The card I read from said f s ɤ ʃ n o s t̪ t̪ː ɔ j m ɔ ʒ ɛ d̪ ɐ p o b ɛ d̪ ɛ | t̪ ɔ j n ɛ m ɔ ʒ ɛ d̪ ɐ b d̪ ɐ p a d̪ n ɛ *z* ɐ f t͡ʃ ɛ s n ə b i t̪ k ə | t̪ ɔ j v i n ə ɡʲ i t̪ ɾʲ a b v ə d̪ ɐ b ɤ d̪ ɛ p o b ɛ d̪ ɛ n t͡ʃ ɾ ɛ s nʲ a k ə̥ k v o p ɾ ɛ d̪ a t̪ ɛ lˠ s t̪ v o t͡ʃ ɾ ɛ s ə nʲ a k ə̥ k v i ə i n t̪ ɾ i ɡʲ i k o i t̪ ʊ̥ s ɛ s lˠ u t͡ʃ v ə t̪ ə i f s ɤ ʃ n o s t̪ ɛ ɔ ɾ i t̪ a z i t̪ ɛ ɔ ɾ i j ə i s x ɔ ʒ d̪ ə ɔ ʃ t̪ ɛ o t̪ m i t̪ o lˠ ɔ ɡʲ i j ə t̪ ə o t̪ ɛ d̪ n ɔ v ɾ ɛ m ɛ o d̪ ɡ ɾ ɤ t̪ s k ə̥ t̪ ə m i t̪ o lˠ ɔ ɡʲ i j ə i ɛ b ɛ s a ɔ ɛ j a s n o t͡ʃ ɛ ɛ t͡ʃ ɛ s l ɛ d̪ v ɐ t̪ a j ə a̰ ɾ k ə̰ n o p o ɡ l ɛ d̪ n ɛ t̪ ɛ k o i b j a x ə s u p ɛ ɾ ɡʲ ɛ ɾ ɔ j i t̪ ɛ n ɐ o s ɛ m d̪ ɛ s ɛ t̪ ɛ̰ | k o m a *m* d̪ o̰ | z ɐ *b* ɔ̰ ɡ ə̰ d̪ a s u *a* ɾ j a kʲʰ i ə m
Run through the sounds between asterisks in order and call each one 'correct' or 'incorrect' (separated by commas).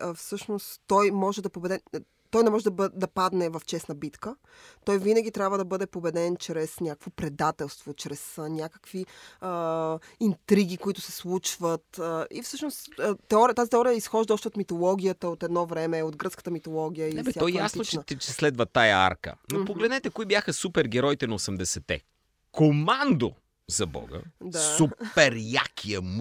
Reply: incorrect, incorrect, correct, incorrect